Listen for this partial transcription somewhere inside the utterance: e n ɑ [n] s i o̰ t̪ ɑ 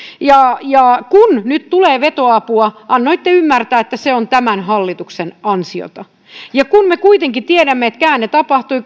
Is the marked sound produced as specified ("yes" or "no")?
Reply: yes